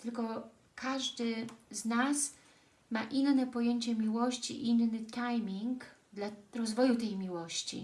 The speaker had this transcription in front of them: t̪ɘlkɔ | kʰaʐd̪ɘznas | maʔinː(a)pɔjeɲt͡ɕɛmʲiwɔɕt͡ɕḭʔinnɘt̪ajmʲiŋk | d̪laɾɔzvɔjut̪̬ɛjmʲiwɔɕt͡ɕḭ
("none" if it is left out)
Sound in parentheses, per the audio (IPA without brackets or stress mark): ɛ